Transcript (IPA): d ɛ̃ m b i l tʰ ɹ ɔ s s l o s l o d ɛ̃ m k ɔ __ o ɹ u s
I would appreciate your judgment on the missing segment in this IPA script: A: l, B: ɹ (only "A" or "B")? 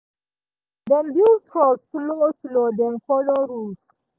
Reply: A